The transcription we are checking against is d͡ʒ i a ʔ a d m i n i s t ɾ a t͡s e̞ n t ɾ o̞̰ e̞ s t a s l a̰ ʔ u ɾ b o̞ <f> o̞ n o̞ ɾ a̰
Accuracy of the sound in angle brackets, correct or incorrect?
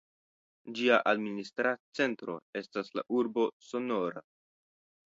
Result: incorrect